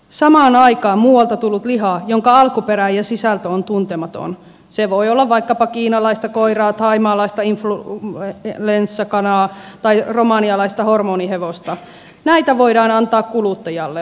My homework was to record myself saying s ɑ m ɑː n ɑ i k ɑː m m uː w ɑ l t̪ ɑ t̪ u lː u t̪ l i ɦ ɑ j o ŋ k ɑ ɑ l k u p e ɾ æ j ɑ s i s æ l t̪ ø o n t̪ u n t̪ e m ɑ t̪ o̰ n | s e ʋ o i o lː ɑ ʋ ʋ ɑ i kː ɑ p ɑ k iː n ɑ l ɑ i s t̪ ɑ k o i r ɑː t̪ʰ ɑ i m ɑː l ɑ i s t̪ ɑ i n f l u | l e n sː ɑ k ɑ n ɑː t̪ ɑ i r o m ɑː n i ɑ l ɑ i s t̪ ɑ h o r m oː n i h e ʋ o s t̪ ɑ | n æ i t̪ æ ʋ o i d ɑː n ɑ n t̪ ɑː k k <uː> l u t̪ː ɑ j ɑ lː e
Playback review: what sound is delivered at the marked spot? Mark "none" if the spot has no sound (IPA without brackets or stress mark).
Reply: u